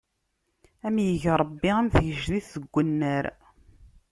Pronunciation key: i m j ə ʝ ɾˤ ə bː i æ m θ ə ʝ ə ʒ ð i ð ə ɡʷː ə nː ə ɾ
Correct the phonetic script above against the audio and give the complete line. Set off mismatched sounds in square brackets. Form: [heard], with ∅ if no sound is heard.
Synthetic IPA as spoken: [æ] m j ə ʝ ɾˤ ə bː i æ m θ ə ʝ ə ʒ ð i [θ] ə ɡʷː ə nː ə ɾ